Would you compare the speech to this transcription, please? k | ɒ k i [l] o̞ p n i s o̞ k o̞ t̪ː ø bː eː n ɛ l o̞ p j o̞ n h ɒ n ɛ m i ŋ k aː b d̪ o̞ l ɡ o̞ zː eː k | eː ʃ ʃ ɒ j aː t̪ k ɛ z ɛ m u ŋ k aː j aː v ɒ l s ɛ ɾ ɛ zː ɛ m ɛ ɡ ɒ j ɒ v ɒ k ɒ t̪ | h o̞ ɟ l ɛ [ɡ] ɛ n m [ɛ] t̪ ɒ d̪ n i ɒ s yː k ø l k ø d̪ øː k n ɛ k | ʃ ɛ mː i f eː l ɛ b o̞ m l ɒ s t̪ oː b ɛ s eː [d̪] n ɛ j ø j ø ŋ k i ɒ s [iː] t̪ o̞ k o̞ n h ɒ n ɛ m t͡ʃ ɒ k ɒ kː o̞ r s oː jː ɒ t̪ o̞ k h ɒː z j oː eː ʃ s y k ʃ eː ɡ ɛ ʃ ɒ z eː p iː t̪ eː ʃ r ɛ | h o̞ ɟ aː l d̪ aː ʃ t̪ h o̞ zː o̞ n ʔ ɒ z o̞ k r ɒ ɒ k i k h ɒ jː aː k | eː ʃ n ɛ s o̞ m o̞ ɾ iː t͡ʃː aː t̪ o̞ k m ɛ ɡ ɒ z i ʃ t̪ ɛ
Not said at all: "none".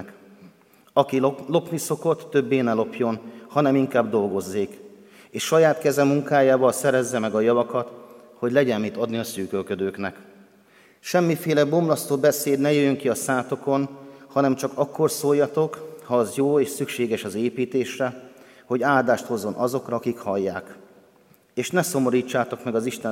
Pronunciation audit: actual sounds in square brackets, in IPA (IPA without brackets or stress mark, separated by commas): l, ɟ, i, d̪, aː